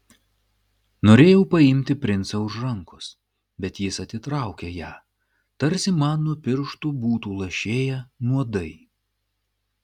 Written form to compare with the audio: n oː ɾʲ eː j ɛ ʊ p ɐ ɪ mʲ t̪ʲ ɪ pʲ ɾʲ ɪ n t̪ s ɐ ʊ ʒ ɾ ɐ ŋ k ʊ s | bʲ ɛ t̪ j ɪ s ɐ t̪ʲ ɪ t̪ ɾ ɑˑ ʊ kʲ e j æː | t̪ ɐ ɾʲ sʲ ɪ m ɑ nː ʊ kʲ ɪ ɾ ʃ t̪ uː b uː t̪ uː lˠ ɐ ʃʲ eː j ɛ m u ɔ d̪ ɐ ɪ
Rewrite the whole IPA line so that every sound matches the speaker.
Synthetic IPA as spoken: n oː ɾʲ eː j ɛ ʊ p ɐ ɪ mʲ t̪ʲ ɪ pʲ ɾʲ ɪ n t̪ s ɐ ʊ ʒ ɾ ɐ ŋ k ʊ s | bʲ ɛ t̪ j ɪ s ɐ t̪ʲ ɪ t̪ ɾ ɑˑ ʊ kʲ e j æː | t̪ ɐ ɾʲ sʲ ɪ m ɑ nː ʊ pʲ ɪ ɾ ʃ t̪ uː b uː t̪ uː lˠ ɐ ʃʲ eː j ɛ n u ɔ d̪ ɐ ɪ